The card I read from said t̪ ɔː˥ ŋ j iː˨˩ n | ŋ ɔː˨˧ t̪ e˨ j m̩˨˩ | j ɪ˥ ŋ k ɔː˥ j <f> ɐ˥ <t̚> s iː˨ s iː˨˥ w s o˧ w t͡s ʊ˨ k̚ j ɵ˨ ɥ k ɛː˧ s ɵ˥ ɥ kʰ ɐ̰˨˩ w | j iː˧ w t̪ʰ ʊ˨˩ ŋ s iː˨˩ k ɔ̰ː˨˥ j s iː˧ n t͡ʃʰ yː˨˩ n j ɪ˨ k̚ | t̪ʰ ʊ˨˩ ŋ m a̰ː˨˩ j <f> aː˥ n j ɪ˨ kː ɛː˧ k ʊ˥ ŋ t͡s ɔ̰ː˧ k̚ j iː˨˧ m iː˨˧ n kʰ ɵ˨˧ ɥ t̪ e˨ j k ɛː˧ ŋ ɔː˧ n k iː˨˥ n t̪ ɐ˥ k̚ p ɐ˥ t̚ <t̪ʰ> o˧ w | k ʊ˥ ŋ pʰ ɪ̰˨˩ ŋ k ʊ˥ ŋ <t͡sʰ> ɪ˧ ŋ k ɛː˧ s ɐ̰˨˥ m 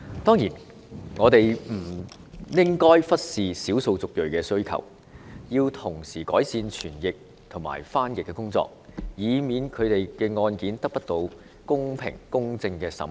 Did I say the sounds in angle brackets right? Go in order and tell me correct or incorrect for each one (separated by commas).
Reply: correct, correct, correct, incorrect, incorrect